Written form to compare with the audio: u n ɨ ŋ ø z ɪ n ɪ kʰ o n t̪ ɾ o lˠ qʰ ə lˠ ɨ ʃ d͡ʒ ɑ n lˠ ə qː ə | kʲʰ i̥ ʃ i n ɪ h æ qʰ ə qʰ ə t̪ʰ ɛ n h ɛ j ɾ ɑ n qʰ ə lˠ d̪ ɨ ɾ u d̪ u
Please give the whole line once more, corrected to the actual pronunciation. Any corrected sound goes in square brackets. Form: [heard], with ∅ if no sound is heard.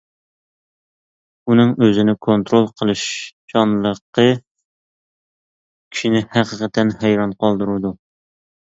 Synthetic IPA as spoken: u n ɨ ŋ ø z ɪ n ɪ kʰ o n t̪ ɾ o lˠ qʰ ə lˠ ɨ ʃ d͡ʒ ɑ n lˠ ə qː ə | kʲʰ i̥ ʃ i n ɪ h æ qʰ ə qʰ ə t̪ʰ ɛ n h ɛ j ɾ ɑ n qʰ [ɑ] lˠ d̪ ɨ ɾ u d̪ u